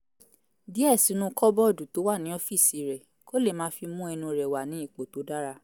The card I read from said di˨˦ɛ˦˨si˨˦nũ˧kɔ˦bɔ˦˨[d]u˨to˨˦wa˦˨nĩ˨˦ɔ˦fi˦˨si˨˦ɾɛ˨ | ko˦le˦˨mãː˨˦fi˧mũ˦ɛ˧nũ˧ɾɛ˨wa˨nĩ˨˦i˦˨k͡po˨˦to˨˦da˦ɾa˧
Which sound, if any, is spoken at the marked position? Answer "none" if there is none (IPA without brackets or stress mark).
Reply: d